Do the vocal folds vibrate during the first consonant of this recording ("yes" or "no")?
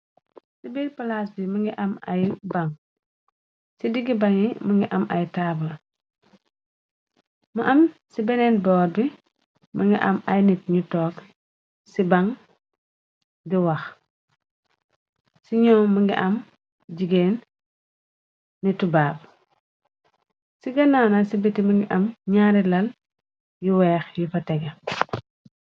no